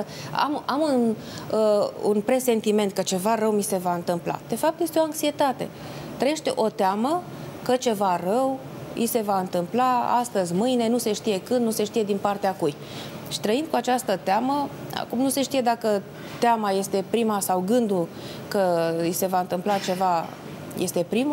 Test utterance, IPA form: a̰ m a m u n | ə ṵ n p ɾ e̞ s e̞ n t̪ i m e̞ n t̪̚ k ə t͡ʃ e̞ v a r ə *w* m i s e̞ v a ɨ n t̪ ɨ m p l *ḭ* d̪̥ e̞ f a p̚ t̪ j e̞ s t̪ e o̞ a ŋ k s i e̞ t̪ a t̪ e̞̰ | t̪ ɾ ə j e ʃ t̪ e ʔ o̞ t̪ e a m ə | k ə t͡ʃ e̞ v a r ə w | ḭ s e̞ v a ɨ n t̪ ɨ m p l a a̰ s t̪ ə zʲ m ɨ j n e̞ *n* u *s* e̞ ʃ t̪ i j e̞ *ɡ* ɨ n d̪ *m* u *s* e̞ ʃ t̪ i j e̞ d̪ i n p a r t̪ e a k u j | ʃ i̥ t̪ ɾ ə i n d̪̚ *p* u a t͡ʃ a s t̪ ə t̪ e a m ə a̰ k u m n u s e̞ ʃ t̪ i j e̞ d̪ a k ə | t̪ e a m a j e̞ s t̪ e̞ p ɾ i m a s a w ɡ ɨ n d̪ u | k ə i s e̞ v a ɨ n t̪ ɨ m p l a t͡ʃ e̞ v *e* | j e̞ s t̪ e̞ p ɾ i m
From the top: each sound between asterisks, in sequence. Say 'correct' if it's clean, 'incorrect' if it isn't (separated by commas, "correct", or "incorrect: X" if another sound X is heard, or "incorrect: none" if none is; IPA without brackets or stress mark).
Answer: correct, incorrect: a̰, correct, correct, incorrect: k, incorrect: n, correct, incorrect: k, incorrect: a